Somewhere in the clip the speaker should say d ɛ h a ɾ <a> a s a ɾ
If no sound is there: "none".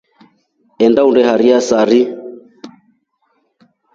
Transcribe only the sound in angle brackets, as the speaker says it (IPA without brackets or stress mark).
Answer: i